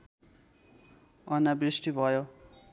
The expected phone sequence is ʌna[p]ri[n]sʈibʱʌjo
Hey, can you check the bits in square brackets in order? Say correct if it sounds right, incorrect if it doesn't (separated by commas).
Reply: incorrect, incorrect